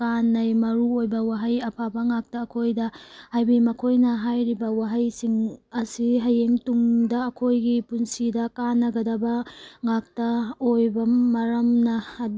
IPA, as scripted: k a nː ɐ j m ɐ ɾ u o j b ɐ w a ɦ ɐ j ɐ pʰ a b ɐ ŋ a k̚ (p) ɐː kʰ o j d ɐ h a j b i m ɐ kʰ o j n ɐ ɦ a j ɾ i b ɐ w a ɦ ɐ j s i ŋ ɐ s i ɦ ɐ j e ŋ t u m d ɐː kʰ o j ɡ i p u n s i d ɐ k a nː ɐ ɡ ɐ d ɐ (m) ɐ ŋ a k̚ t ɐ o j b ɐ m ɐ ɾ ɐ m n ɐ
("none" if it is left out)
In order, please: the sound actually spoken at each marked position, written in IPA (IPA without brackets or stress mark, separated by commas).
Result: t, b